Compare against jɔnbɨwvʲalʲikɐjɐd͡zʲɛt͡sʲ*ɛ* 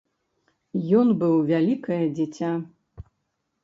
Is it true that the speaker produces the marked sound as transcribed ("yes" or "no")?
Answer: no